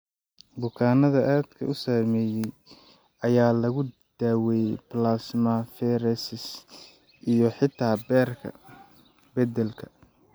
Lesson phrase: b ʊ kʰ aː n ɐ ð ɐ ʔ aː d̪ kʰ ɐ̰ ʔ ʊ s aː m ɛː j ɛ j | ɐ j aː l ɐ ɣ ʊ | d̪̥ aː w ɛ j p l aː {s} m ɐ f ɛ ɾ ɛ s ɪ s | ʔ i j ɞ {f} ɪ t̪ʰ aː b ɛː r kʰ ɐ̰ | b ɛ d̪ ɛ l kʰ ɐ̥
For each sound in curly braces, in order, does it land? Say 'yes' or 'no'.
yes, no

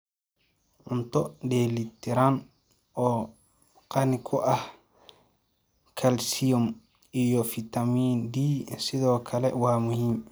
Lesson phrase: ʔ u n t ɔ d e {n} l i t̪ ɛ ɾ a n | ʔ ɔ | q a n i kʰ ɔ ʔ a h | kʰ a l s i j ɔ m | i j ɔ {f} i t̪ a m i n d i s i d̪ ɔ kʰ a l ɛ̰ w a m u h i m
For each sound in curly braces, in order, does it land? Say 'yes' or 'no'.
no, yes

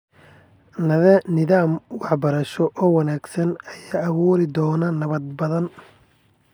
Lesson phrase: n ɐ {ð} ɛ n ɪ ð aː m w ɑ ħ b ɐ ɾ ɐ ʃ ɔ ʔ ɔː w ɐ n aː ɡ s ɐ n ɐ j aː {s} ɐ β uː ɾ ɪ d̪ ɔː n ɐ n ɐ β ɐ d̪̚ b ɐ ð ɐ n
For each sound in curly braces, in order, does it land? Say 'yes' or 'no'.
yes, no

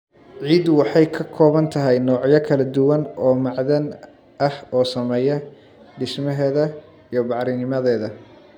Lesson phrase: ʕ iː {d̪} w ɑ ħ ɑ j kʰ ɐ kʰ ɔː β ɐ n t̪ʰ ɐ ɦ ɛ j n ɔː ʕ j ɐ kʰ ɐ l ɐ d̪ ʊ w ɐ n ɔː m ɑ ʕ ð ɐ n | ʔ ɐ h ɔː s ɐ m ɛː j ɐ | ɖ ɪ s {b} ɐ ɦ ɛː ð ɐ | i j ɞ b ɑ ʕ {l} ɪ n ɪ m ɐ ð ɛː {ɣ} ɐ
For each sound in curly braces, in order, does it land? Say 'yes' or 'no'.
yes, no, no, no

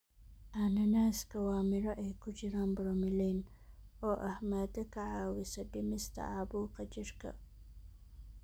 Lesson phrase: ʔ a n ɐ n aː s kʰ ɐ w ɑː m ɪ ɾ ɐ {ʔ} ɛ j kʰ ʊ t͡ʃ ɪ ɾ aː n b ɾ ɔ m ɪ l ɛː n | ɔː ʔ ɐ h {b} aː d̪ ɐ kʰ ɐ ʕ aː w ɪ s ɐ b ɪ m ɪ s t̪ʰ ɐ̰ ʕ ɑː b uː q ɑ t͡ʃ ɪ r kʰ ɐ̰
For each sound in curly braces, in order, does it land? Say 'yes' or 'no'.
yes, no

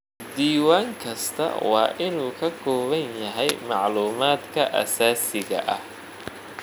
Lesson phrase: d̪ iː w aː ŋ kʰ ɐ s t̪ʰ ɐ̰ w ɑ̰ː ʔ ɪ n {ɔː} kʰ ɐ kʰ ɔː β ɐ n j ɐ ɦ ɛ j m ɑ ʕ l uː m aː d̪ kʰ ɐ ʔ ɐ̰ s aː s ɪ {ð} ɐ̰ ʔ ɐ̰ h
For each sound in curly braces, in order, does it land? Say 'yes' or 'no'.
no, no

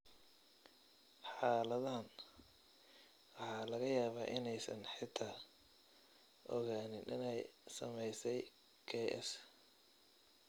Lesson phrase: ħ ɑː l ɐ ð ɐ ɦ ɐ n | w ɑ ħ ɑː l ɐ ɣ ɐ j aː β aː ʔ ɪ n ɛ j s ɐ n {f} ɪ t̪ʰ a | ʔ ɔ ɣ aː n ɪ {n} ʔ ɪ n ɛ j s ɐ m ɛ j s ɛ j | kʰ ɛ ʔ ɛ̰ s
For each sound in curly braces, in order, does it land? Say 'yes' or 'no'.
no, yes

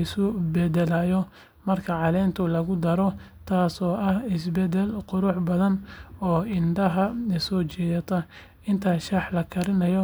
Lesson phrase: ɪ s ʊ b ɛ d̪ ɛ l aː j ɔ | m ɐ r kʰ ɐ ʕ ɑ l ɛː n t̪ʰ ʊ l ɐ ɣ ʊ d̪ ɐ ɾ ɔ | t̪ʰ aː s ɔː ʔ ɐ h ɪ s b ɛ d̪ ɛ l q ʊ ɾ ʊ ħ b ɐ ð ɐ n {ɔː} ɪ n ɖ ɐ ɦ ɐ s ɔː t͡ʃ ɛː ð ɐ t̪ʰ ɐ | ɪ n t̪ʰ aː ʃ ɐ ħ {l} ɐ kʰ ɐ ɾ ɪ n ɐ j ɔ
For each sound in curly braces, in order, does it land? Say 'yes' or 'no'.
yes, yes

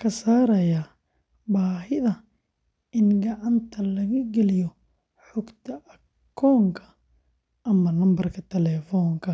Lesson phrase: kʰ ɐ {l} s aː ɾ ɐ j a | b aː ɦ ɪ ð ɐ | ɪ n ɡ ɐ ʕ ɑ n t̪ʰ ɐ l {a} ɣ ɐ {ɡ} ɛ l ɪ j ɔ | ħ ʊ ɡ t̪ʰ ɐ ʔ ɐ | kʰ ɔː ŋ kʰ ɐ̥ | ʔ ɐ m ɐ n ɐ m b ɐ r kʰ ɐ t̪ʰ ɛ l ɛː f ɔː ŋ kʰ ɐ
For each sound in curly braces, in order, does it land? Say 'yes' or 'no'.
no, no, yes

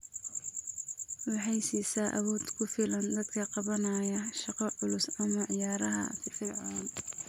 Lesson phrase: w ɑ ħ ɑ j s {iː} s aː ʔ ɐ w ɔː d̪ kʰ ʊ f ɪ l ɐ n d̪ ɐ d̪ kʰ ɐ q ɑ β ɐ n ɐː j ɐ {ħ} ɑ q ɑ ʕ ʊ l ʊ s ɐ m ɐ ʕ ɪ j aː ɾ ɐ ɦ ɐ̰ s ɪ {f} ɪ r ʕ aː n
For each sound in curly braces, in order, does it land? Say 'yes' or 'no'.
yes, no, yes

